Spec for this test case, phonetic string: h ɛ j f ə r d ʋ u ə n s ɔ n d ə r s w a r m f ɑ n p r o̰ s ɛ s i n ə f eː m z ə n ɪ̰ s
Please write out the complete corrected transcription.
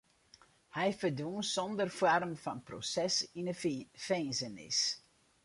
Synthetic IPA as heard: h ɛ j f ə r d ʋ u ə n s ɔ n d ə r f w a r m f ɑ n p r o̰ s ɛ s i n ə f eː n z ə n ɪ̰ s